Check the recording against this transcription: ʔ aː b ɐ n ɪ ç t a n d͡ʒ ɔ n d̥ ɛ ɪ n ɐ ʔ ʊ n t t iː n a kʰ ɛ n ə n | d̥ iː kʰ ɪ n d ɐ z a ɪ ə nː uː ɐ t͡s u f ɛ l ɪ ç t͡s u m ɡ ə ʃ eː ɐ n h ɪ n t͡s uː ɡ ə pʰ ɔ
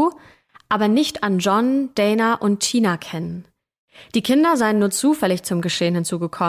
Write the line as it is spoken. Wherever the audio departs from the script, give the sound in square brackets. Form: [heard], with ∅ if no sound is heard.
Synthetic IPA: ʔ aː b ɐ n ɪ ç t a n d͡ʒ ɔ n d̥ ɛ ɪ n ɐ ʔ ʊ n t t iː n a kʰ ɛ n ə n | d̥ iː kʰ ɪ n d ɐ z a ɪ ə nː uː ɐ t͡s [uː] f ɛ l ɪ ç t͡s [ʊ] m ɡ ə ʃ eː [ə] n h ɪ n t͡s uː ɡ ə [kʰ] ɔ